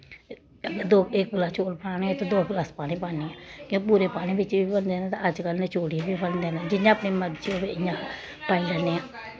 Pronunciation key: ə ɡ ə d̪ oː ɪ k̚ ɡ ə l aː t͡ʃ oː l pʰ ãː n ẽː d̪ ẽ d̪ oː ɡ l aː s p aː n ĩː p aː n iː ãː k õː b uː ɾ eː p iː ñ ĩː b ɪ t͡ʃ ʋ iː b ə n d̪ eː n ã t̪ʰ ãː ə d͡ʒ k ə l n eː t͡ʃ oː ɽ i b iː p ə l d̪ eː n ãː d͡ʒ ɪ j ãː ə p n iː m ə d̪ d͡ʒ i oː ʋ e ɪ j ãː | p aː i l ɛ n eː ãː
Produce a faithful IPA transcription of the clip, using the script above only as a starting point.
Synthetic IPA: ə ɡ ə d̪ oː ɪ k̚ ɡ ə l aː t͡ʃ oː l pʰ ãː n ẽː t̪ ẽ d̪ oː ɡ l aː s p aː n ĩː p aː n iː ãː k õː p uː ɾ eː p aː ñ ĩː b ɪ t͡ʃ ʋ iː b ə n d̪ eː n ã t̪ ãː ə d͡ʒ k ə l n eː t͡ʃ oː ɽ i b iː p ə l d̪ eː n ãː d͡ʒ ɪ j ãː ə p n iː m ə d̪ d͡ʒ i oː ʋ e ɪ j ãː | p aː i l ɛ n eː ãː